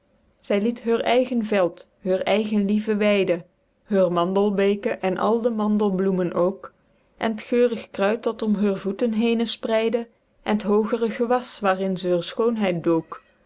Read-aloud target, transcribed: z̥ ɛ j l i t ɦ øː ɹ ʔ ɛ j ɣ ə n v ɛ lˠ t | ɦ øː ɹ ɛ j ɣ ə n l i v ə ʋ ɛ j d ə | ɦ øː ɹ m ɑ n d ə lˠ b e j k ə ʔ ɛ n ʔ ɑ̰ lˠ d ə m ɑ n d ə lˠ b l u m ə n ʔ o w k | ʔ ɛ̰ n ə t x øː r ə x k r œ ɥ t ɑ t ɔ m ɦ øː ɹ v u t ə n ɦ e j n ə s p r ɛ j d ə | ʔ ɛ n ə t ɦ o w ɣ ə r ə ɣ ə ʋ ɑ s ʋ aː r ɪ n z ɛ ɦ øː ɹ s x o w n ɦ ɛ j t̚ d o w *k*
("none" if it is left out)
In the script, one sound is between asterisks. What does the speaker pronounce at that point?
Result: k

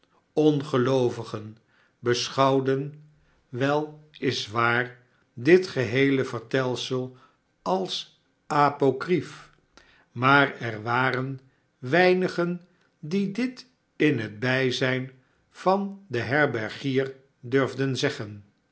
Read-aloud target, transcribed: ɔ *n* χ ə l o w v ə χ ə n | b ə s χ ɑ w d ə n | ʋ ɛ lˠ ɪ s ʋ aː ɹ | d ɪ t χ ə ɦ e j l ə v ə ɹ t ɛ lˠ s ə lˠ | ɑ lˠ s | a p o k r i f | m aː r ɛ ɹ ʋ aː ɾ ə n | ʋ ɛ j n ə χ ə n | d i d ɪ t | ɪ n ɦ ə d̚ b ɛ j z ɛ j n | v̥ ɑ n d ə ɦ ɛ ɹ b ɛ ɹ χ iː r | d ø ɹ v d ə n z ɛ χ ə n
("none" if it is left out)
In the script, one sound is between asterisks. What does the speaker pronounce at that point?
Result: n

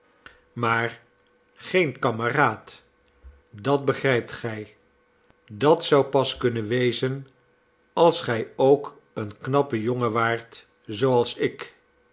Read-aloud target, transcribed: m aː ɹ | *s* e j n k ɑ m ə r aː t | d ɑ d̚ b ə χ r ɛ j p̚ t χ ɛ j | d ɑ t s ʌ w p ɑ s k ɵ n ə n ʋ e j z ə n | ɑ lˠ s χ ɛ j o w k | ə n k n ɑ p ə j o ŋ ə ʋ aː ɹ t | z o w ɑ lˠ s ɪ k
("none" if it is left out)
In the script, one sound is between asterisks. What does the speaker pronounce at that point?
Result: χ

